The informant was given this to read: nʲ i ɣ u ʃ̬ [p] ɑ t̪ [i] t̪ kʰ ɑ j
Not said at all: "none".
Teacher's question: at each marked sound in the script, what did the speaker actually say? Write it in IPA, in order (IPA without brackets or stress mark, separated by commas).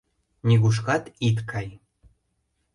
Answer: k, i